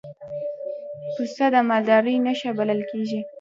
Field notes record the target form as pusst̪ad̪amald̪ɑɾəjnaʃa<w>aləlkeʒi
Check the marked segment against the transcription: incorrect: b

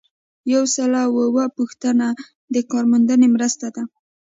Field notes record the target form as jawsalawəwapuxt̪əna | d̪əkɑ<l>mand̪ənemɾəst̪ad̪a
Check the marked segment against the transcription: incorrect: ɾ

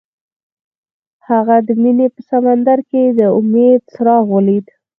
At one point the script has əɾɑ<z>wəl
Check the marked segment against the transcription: incorrect: ɣ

